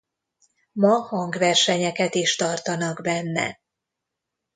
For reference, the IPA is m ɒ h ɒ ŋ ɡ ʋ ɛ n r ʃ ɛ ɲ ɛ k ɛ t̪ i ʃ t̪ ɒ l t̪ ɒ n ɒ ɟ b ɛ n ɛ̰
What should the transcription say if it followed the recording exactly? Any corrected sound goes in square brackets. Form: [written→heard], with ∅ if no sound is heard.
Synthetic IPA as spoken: m ɒ h ɒ ŋ ɡ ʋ ɛ [n→∅] r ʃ ɛ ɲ ɛ k ɛ t̪ i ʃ t̪ ɒ [l→r] t̪ ɒ n ɒ [ɟ→ɡ] b ɛ [n→nː] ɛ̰